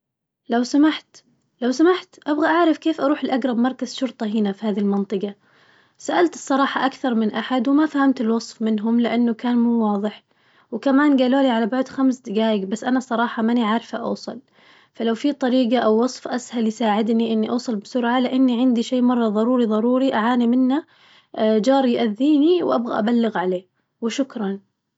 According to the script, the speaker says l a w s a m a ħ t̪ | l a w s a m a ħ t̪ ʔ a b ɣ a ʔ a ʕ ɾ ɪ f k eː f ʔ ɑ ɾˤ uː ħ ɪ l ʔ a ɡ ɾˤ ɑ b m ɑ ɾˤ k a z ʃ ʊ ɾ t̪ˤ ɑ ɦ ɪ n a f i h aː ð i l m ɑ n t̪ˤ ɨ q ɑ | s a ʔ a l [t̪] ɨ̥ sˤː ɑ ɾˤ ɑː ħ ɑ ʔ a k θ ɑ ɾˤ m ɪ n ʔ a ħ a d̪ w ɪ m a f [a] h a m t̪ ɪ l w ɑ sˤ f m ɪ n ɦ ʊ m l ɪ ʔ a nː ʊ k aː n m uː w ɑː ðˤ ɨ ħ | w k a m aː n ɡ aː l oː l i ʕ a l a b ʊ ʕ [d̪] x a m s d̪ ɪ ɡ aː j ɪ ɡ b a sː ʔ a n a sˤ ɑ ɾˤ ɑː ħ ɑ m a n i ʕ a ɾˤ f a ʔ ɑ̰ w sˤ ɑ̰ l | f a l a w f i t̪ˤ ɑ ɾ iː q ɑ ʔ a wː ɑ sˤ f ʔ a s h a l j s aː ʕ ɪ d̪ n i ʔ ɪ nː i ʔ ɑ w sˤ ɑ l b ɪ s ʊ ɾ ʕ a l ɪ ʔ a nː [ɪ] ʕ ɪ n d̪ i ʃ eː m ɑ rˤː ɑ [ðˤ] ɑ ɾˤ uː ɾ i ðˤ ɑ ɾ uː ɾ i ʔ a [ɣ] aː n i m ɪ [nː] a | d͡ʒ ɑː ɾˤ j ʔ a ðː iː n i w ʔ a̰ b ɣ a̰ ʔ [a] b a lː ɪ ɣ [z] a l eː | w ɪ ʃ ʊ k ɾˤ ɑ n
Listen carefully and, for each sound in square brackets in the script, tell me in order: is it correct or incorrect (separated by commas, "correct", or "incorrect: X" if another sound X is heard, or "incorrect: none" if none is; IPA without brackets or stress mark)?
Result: correct, correct, correct, incorrect: i, correct, incorrect: ʕ, correct, correct, incorrect: ʕ